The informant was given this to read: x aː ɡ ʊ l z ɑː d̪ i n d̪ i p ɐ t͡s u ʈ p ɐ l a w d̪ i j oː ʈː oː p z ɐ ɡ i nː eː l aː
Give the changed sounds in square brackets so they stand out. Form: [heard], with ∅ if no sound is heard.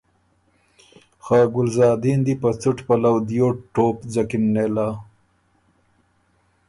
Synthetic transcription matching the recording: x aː ɡ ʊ l z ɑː d̪ i n d̪ i p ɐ t͡s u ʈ p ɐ l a w d̪ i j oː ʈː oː p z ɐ [k] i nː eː l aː